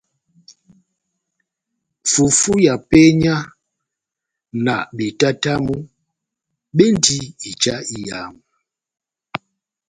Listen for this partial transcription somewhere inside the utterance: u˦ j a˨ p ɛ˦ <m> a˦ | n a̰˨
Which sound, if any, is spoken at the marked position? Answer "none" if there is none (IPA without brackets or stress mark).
ɲ